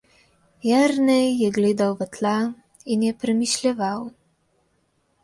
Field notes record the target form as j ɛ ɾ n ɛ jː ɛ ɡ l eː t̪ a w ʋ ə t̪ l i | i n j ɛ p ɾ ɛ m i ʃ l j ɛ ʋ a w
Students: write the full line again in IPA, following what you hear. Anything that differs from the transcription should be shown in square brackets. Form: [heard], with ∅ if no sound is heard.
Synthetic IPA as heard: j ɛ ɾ n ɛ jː ɛ ɡ l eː [d̪] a w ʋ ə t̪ l [a] | i n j ɛ p ɾ ɛ m i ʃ l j ɛ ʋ a w